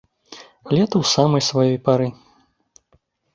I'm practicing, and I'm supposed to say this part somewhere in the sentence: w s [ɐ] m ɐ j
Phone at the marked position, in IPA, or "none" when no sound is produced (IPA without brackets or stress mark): a